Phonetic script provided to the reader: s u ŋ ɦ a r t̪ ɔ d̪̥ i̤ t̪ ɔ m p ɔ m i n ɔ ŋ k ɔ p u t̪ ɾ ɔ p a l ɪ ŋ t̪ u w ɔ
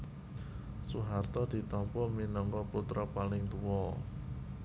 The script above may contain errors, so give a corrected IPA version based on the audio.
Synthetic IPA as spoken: s u ɦ a r t̪ ɔ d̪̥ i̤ t̪ ɔ m p ɔ m i n ɔ ŋ k ɔ p u t̪ ɾ ɔ p a l ɪ ŋ t̪ u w ɔ